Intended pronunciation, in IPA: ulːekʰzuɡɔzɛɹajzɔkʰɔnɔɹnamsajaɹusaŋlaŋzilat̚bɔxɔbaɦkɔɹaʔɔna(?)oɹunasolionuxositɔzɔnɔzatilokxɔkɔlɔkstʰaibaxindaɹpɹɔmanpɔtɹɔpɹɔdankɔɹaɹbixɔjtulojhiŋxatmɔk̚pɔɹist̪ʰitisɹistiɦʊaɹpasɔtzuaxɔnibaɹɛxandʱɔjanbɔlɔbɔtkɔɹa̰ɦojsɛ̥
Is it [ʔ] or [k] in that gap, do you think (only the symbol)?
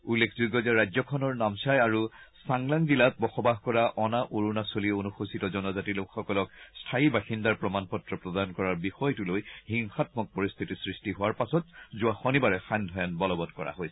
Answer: ʔ